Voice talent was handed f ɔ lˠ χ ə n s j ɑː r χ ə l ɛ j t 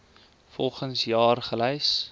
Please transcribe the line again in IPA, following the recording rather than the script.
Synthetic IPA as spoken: f ɔ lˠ χ ə n s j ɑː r χ ə l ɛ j s

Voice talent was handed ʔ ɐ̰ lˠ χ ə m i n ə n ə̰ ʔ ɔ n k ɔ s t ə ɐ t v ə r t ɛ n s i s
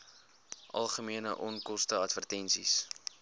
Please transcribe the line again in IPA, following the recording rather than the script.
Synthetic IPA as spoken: ʔ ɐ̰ lˠ χ ə m i ə n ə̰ ʔ ɔ n k ɔ s t ə ɐ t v ə r t ɛ n s i s

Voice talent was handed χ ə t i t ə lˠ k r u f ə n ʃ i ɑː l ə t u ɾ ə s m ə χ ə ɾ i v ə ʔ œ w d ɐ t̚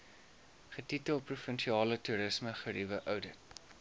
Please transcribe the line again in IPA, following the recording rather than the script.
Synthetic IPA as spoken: χ ə t i t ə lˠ p r u f ə n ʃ i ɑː l ə t u ɾ ə s m ə χ ə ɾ i v ə ʔ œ w d ə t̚

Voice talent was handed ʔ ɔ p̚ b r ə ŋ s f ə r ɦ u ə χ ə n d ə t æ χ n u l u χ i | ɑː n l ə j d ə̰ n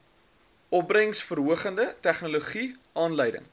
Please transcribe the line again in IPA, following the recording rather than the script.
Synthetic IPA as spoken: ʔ ɔ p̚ b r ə ŋ s f ə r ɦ u ə χ ə n d ə t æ χ n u l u χ i | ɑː n l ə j d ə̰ ŋ

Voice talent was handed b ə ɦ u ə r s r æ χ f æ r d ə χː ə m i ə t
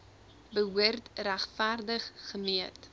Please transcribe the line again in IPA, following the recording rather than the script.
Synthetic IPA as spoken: b ə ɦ u ə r t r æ χ f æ r d ə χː ə m i ə t

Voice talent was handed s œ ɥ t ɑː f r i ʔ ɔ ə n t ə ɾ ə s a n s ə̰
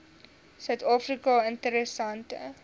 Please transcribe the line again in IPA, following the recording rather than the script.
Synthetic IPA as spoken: s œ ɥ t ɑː f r i k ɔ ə n t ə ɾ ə s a n t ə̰

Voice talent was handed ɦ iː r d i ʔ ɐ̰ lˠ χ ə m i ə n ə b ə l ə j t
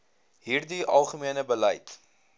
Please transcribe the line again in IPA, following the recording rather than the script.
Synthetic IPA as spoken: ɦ iː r d i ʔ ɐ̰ lˠ χ ə m i ə n ə b ə l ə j t

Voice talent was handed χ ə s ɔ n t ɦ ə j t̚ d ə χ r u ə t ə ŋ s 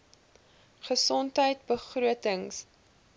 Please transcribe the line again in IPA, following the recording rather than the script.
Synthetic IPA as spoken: χ ə s ɔ n t ɦ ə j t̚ b ə χ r u ə t ə ŋ s

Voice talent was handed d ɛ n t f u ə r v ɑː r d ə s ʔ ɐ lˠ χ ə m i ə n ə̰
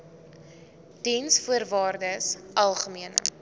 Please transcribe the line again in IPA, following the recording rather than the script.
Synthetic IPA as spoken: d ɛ n s f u ə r v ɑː r d ə s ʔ ɐ lˠ χ ə m i ə n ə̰

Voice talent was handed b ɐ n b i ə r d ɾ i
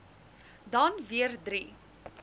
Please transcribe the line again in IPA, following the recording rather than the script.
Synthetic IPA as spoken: d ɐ n v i ə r d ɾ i

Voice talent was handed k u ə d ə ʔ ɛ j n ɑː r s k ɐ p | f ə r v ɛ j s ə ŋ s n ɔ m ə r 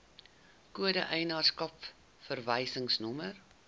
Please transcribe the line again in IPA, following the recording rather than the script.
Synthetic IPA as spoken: k u ə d ə ʔ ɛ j n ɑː r s k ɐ p | f ə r v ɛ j s ə ŋ s n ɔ m ə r

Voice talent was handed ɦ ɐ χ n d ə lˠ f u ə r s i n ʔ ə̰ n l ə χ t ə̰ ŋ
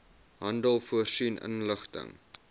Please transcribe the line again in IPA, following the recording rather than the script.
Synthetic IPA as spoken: ɦ ɐ n d ə lˠ f u ə r s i n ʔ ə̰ n l ə χ t ə̰ ŋ

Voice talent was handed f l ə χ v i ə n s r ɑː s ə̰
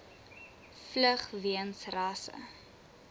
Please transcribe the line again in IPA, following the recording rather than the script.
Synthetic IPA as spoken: f l ə χ v i ə n s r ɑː s ə̰

